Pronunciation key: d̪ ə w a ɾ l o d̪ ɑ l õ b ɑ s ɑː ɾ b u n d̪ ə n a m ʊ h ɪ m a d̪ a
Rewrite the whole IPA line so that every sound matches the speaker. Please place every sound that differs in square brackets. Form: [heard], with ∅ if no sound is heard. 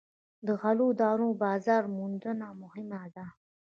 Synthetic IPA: d̪ ə [ɣ] a [∅] l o d̪ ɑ [ɾ] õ b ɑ [z] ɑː ɾ [m] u n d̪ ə n a m ʊ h ɪ m a d̪ a